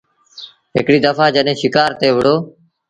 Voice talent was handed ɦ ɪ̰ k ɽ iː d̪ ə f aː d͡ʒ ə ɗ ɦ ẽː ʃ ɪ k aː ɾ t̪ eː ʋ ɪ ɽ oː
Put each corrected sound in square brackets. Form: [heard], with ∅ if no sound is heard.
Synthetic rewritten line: ɦ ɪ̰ k ɽ iː d̪ ə f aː d͡ʒ ə ɗ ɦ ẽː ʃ ɪ k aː ɾ t̪ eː ʋ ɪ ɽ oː